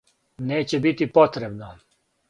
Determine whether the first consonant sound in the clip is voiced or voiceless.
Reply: voiced